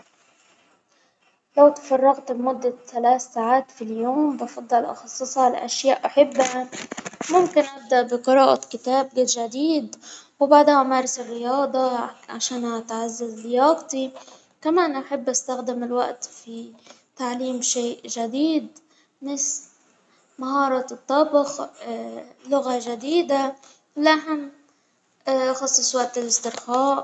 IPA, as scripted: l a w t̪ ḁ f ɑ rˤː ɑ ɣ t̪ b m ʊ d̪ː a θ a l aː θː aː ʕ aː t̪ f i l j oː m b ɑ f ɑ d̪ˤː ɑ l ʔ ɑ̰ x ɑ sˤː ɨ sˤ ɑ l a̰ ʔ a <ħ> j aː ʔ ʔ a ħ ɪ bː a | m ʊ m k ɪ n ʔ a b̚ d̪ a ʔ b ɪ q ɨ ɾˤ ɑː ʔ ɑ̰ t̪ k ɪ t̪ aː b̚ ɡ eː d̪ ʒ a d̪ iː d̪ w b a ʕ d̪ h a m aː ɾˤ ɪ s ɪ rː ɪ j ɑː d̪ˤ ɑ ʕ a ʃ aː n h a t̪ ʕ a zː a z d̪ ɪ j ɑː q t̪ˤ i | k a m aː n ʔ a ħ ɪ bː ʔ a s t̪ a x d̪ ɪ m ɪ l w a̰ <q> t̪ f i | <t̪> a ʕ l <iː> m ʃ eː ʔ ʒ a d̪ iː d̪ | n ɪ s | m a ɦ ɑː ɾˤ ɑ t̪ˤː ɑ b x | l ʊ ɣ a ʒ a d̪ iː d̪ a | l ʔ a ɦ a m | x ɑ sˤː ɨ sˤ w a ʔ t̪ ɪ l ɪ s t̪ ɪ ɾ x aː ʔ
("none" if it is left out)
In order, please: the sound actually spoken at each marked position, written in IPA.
ʃ, ʔ, t̪, iː

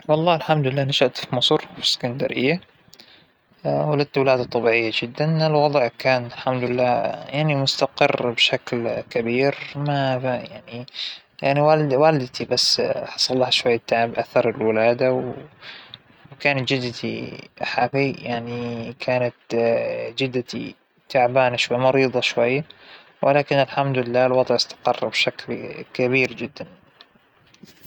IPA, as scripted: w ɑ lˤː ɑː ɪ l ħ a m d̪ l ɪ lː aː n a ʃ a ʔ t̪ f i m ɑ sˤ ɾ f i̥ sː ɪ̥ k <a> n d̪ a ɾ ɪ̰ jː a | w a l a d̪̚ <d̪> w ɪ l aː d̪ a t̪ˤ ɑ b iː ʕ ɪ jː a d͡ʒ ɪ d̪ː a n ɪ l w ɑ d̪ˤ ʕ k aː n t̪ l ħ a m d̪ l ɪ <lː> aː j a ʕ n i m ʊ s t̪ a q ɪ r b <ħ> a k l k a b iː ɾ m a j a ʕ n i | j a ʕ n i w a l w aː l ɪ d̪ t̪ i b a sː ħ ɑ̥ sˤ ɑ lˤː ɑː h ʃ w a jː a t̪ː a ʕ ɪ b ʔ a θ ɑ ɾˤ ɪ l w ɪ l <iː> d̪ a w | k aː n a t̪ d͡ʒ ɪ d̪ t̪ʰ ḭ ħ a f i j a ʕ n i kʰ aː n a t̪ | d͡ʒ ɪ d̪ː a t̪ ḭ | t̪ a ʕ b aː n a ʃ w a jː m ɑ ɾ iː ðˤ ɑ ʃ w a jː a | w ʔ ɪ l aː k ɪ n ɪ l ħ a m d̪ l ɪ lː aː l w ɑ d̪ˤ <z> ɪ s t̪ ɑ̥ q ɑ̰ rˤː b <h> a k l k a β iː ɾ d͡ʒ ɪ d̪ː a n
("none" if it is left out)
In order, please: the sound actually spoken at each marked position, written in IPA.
a, t̪, lː, ʃ, aː, ʕ, ʃ

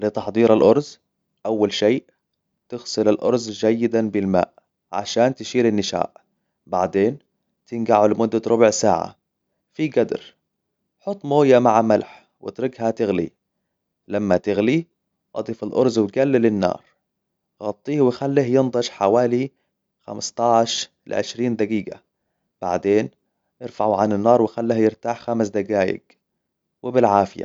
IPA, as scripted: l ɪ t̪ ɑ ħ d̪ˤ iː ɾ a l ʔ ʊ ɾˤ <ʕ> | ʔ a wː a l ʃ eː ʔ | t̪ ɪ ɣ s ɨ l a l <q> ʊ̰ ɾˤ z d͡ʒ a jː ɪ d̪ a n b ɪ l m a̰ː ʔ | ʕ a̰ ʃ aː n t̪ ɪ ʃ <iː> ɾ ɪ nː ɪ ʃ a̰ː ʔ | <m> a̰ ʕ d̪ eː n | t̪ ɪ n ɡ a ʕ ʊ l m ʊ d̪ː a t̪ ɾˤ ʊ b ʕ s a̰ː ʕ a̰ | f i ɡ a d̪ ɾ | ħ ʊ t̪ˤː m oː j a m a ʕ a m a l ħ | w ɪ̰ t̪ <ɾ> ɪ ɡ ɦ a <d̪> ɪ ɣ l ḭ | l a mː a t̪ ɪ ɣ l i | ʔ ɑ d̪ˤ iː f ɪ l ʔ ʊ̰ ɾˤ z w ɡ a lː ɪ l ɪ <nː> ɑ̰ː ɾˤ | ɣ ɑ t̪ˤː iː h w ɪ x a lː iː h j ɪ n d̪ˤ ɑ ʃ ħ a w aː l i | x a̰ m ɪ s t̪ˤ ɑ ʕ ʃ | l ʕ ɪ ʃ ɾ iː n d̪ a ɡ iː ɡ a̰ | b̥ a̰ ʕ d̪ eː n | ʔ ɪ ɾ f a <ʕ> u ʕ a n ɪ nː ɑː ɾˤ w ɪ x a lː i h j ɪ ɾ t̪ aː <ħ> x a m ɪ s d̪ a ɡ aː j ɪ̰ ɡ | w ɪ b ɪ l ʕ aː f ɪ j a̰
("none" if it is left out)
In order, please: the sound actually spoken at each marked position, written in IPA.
z, ʔ, iː, b, ɾ, t̪, nː, ʕ, ħ

